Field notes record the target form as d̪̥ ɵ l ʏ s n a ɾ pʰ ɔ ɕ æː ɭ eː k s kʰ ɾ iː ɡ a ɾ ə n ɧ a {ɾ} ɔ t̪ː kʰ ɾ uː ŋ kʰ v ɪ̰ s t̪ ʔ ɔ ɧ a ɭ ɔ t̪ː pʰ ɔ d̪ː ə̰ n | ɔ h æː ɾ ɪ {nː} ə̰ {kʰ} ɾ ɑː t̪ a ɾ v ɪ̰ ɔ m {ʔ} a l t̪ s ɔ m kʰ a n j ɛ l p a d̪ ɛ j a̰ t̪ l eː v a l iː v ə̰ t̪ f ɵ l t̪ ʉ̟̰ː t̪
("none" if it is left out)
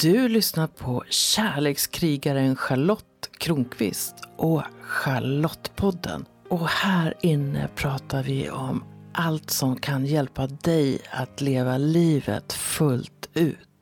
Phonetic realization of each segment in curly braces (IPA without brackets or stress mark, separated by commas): ɭ, nː, pʰ, ʔ